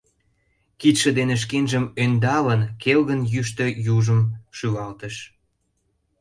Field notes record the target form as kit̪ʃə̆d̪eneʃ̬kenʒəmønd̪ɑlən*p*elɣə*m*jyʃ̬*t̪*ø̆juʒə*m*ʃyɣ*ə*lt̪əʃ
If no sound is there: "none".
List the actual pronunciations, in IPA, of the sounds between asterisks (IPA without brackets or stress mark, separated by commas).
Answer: k, n, t̪, m, ɑ